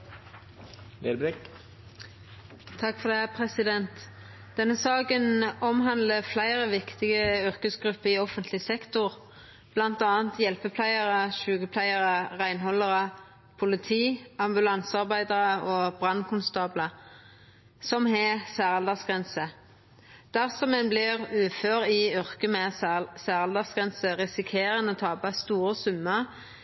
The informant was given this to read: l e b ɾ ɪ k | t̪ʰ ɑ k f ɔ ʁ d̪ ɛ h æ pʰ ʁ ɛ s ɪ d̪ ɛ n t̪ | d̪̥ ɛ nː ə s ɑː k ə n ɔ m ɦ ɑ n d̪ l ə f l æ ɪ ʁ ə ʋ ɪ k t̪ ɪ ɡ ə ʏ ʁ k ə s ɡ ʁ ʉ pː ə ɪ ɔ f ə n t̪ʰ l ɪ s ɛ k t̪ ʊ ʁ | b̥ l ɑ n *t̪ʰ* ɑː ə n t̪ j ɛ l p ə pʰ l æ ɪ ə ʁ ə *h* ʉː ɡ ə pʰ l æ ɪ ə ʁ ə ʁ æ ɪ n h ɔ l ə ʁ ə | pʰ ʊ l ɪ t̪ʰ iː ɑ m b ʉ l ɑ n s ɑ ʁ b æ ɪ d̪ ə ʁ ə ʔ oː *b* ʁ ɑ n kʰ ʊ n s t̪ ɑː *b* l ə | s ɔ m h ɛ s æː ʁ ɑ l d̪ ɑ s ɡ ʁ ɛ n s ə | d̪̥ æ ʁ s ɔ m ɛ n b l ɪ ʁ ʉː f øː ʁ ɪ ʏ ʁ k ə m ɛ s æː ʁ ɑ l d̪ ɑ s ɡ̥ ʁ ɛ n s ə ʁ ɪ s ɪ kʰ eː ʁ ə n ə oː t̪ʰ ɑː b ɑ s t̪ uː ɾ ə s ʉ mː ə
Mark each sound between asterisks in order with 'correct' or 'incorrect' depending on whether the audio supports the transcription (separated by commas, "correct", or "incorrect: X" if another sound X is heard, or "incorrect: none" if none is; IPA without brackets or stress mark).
incorrect: t̪, incorrect: ʃ, correct, correct